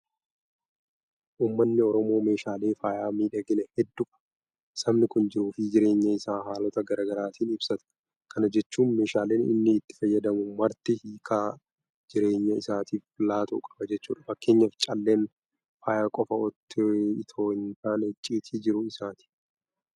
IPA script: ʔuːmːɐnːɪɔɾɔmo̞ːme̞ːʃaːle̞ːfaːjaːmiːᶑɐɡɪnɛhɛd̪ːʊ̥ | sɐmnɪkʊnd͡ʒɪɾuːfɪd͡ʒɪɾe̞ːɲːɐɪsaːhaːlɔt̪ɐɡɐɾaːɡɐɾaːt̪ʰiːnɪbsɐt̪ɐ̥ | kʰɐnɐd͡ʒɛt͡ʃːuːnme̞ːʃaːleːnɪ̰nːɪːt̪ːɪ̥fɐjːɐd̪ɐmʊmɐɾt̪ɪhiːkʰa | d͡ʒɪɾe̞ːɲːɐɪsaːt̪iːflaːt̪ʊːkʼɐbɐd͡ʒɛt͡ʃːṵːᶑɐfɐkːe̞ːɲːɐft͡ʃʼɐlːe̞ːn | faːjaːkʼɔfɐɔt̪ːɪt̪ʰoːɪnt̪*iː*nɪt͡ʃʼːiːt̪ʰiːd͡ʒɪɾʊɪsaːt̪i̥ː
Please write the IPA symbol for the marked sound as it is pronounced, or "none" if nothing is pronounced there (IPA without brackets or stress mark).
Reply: aː